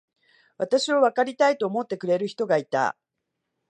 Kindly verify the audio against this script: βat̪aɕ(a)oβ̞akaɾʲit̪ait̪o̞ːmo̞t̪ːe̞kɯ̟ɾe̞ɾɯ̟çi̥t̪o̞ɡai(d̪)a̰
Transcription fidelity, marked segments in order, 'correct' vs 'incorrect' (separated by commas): incorrect, incorrect